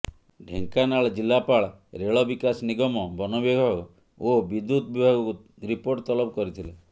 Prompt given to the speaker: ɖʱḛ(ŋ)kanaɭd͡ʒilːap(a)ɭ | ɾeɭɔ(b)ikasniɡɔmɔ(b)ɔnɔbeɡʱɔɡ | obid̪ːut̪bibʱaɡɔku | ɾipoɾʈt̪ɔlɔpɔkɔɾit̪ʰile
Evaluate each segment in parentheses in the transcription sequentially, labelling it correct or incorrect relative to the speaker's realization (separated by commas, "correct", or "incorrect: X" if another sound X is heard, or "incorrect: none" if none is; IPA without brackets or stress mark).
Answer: correct, correct, correct, correct